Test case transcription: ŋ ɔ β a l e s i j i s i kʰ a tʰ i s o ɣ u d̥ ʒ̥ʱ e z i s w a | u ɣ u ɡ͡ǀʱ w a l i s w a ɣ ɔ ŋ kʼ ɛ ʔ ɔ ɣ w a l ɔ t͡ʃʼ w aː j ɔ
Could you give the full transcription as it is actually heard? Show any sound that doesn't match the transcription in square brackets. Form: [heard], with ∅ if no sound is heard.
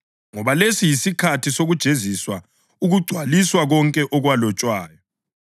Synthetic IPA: ŋ ɔ β a l e s i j i s i kʰ a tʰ i s o ɣ u d̥ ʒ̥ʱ e z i s w a | u ɣ u ɡ͡ǀʱ w a l i s w a ɣ ɔ ŋ kʼ ɛ ʔ ɔ ɣ w a l ɔ t͡ʃʼ w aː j ɔ